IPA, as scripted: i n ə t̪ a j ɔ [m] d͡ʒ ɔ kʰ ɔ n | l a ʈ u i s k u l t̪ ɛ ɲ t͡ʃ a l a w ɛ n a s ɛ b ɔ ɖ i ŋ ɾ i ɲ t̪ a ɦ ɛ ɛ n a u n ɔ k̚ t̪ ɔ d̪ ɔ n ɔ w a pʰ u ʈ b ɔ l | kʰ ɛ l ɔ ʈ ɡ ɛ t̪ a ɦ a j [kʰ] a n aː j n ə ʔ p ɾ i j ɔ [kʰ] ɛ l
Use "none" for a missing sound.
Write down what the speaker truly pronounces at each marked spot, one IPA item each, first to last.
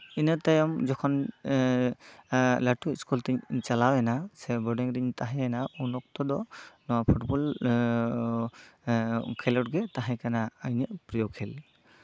m, k, kʰ

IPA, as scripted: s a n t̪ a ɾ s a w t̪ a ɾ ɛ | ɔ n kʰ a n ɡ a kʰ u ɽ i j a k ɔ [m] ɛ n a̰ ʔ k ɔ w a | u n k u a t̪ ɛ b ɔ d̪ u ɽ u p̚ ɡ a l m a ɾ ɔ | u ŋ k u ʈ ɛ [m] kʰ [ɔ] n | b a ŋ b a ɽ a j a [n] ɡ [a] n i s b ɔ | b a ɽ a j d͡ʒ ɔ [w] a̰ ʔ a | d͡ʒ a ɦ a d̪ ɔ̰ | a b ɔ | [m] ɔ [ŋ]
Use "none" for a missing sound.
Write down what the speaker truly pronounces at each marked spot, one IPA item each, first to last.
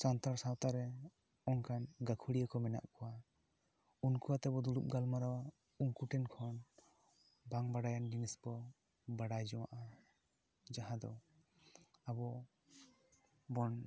m, n, ɔ, n, i, w, b, n

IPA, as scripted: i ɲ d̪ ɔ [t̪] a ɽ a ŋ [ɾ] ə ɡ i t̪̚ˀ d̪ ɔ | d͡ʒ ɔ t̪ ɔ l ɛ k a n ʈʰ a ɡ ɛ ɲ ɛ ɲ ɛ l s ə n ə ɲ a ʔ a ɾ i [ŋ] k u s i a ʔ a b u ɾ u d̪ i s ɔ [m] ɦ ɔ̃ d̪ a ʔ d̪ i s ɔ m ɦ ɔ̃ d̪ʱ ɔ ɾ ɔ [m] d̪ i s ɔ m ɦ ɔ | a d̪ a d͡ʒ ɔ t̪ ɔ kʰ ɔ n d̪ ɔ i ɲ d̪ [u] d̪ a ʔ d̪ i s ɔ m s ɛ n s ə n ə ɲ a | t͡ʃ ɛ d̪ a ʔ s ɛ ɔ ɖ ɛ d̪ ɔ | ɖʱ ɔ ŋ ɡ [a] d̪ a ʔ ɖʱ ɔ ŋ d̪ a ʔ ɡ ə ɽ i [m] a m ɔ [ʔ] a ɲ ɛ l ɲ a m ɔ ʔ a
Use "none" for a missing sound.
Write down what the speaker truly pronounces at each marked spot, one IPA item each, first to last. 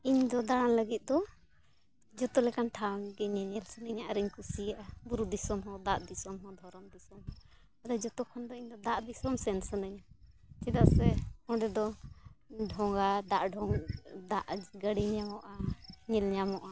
d̪, l, ɲ, m, m, ɔ, a, ɲ, ʔ

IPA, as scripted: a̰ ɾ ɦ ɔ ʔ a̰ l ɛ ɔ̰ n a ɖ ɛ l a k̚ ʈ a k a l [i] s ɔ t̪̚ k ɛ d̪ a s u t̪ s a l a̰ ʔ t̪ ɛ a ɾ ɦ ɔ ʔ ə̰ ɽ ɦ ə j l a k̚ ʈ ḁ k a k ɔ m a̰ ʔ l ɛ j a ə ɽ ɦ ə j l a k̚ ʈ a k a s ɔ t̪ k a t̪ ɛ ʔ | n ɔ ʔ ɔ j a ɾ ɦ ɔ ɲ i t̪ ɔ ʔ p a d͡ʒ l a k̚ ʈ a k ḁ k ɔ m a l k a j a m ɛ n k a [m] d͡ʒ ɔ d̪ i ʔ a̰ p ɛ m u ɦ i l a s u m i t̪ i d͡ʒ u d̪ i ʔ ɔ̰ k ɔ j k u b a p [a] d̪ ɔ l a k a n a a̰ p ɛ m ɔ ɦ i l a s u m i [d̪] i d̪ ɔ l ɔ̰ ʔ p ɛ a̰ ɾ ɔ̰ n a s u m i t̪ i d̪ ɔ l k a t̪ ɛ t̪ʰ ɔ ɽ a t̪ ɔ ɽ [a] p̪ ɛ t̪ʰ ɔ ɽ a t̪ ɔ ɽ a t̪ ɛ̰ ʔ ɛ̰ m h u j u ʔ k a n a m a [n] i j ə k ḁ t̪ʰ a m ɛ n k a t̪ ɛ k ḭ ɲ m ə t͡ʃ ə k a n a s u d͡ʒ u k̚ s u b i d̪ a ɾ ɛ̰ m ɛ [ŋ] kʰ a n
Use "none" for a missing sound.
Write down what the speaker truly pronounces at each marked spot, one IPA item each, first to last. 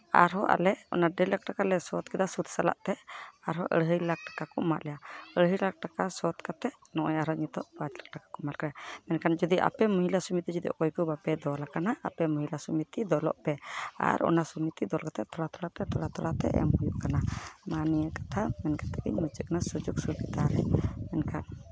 ɛ, n, ɛ, t̪, a, n, n

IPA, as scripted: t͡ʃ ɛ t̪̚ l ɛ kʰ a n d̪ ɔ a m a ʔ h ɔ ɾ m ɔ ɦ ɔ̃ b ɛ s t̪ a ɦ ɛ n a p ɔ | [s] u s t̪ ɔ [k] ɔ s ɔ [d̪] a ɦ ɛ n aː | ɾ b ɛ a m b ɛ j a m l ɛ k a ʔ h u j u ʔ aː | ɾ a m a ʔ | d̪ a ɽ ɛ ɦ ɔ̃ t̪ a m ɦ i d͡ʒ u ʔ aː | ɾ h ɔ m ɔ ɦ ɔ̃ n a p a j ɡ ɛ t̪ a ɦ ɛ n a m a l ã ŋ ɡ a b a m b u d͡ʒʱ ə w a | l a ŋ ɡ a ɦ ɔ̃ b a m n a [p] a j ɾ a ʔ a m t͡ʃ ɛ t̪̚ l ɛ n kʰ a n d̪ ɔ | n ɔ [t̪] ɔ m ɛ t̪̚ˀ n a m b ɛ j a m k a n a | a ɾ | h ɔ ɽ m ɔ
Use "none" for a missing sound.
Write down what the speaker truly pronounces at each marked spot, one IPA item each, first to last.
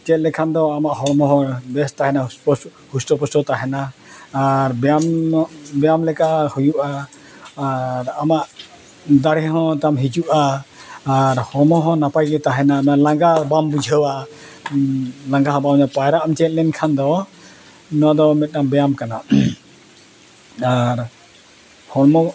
h, p, t̪, p, d̪

